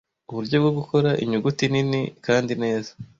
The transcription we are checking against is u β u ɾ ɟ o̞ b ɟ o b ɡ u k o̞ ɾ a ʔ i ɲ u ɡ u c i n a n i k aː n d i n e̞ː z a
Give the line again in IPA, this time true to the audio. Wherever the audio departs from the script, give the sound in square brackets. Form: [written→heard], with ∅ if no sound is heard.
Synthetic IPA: u β u ɾ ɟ o̞ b [ɟ→ɡ] o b ɡ u k o̞ ɾ a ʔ i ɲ u ɡ u [c→t] i n [a→i] n i k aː n d i n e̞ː z a